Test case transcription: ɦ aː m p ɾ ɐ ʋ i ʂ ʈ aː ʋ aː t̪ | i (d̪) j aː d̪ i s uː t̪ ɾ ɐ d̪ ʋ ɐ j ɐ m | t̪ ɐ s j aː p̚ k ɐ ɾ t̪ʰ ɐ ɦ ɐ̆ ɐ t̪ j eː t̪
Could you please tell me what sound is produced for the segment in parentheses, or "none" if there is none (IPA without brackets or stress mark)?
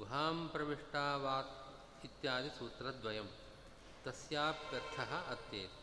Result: t̪